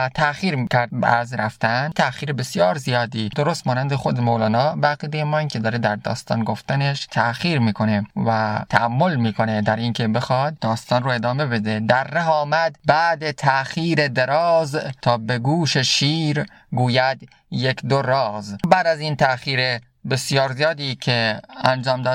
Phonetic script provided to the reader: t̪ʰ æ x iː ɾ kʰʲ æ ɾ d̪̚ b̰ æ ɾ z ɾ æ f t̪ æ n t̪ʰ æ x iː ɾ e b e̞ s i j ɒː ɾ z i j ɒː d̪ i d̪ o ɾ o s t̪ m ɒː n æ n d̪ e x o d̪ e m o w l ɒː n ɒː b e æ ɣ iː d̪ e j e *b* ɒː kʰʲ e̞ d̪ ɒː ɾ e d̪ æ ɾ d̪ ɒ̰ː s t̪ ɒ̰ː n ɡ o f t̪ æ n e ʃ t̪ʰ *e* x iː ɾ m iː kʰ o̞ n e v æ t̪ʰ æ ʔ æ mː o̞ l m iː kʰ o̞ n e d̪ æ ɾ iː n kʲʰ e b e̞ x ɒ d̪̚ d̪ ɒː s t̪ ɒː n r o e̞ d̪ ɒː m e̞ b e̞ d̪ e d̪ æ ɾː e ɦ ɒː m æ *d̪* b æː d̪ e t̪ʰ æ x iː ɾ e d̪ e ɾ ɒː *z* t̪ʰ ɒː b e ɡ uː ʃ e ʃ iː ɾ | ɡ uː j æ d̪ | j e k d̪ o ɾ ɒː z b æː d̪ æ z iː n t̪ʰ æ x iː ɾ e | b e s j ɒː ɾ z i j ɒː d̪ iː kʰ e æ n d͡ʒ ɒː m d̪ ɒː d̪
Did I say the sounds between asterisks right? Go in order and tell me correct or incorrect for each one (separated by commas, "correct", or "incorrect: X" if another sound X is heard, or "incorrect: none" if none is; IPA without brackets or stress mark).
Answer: incorrect: m, incorrect: æ, correct, correct